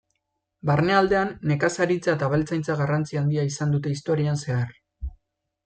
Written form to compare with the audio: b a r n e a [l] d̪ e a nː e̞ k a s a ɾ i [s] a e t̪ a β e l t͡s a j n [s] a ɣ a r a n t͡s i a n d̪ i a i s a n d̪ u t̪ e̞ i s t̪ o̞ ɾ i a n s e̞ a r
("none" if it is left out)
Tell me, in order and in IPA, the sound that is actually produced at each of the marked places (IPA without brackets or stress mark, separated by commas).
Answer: l, t͡s, t͡s